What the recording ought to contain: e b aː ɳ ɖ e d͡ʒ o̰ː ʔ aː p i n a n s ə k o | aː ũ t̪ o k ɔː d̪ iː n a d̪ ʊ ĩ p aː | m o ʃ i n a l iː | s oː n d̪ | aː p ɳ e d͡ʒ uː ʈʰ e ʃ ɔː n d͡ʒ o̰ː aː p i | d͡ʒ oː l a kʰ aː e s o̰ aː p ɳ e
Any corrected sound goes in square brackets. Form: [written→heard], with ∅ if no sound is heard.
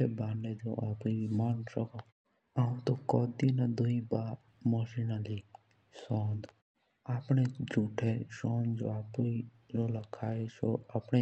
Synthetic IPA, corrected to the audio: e b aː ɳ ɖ e d͡ʒ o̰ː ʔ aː p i [n→m] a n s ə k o | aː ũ t̪ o k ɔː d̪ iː n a d̪ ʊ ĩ [p→b] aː | m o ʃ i n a l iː | s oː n d̪ | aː p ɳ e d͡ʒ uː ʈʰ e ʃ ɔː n d͡ʒ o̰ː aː p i | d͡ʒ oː l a kʰ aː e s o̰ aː p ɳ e

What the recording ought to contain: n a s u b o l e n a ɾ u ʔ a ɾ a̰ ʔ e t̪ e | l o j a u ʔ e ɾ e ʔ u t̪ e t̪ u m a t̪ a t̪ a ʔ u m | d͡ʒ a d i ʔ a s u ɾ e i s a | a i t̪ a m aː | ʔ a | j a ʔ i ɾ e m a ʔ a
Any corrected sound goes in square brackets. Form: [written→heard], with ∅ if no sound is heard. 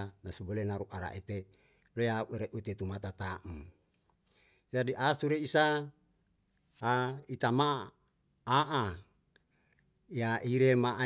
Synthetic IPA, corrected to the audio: n a s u b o l e n a ɾ u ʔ a ɾ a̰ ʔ e t̪ e | l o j a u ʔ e ɾ e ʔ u t̪ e t̪ u m a t̪ a t̪ a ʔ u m | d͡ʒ a d i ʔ a s u ɾ e i s a | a i t̪ a m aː | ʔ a | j a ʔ i ɾ e m a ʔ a

